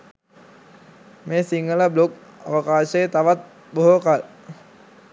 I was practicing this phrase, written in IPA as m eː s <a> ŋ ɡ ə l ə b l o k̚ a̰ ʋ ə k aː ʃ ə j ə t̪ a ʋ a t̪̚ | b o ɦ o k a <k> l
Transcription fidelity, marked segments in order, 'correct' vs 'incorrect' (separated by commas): incorrect, incorrect